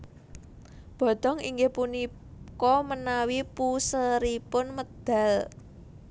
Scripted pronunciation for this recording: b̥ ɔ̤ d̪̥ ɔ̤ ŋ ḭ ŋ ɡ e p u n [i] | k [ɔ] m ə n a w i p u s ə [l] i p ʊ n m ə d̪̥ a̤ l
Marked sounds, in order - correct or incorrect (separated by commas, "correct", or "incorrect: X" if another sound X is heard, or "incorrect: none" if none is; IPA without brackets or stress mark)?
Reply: correct, correct, incorrect: ɾ